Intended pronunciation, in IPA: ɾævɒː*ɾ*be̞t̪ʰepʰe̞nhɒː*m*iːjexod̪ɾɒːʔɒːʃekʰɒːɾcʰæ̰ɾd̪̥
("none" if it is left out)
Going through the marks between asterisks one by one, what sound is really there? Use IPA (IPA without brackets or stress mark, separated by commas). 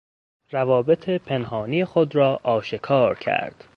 none, n